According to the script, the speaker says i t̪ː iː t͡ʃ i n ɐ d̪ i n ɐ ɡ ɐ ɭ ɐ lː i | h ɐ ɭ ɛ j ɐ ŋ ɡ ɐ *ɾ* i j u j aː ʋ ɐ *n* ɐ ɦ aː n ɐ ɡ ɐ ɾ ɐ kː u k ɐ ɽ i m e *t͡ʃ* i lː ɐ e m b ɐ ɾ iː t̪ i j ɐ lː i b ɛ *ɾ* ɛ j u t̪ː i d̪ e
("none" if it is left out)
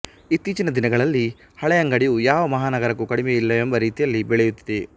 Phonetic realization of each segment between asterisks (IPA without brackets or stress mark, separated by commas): ɽ, m, none, ɭ